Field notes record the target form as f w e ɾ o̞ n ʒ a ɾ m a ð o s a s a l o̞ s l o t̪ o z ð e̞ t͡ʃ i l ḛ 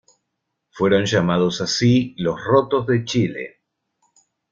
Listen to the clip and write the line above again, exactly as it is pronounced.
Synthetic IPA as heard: f w e ɾ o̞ n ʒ a m a ð o s a s i l o̞ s r o t̪ o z ð e̞ t͡ʃ i l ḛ